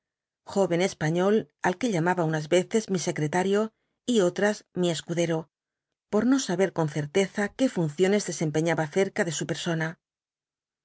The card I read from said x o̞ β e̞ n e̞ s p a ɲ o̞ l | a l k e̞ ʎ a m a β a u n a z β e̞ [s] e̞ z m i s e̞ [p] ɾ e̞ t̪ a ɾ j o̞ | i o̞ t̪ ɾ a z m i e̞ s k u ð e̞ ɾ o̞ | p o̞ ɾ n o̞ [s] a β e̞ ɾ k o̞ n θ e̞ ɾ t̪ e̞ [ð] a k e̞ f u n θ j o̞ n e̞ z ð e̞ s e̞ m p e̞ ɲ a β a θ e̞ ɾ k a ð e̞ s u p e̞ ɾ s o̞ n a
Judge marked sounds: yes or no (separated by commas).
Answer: no, no, yes, no